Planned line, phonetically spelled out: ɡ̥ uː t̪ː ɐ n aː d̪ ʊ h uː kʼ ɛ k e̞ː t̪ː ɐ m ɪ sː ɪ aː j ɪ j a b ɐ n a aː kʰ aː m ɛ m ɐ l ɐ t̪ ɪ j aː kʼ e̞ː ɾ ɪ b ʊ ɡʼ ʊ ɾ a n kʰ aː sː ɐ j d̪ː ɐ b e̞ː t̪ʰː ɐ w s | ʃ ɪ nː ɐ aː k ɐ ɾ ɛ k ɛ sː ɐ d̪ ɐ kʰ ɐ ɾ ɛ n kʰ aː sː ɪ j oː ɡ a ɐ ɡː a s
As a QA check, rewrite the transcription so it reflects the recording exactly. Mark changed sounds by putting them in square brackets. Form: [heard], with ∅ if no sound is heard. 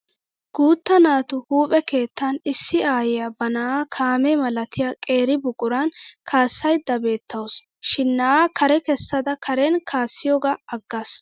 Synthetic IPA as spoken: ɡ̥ uː t̪ː ɐ n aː [t̪] ʊ h uː [pʼ] ɛ k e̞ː t̪ː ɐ [n] ɪ sː ɪ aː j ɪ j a b ɐ n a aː kʰ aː m ɛ m ɐ l ɐ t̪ ɪ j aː kʼ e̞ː ɾ ɪ b ʊ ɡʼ ʊ ɾ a n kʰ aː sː ɐ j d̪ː ɐ b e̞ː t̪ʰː ɐ w s | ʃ ɪ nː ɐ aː k ɐ ɾ ɛ k ɛ sː ɐ d̪ ɐ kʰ ɐ ɾ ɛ n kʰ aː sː ɪ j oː ɡ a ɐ ɡː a s